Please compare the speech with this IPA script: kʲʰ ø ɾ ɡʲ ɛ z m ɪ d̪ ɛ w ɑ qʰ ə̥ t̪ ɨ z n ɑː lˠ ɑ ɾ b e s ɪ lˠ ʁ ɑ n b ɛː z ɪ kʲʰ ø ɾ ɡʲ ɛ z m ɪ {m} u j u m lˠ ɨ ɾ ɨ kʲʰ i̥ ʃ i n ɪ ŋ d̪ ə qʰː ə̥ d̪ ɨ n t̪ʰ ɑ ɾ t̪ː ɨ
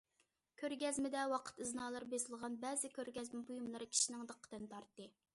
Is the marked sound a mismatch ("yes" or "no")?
yes